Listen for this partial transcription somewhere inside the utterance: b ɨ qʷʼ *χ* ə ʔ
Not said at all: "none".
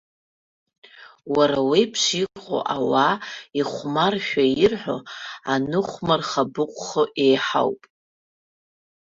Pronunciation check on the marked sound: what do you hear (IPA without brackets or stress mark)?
χ